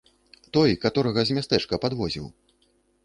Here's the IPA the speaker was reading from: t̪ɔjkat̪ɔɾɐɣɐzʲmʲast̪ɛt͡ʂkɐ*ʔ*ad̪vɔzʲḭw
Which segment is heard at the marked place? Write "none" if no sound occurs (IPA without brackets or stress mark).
p